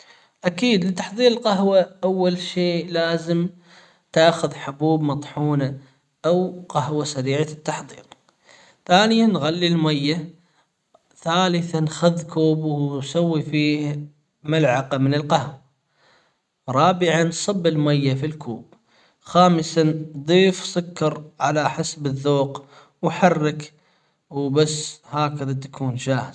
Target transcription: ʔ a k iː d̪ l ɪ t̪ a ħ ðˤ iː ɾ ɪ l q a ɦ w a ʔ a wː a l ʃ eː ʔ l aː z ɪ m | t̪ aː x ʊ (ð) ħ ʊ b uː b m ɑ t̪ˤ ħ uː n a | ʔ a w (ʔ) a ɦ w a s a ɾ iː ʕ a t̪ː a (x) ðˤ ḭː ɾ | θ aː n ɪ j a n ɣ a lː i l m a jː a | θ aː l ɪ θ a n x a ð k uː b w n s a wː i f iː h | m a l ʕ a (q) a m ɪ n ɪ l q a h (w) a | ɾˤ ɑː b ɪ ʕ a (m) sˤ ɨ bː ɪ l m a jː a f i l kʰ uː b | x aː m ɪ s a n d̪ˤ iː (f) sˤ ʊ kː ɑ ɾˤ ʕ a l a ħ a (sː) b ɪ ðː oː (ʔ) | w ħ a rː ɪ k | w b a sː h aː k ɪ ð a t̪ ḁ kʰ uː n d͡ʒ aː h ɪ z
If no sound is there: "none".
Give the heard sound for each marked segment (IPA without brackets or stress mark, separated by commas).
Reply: ð, q, ħ, q, w, n, f, s, q